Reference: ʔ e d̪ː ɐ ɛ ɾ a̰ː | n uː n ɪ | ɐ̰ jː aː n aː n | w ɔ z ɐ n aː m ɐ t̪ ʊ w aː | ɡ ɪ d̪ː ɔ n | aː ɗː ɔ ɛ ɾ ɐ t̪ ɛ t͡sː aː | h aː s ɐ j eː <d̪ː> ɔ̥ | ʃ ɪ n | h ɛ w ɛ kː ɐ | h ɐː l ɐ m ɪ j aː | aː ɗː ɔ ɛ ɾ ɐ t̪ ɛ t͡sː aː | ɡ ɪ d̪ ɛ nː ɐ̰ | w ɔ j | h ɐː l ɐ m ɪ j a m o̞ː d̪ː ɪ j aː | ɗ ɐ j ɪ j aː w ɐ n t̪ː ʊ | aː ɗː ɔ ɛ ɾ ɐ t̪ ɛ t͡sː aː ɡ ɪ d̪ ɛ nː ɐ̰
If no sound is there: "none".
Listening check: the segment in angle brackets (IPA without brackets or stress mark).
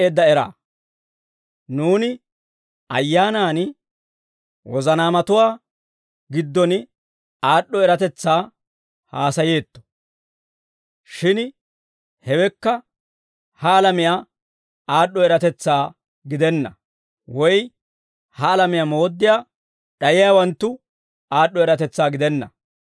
t̪ː